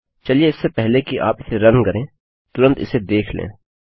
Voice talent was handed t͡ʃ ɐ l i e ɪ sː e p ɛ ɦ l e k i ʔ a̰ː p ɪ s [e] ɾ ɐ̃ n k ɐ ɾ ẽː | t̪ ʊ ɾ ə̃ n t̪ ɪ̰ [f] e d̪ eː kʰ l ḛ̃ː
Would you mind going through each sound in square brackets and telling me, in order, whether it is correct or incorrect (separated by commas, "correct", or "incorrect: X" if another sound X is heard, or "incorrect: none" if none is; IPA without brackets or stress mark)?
correct, incorrect: s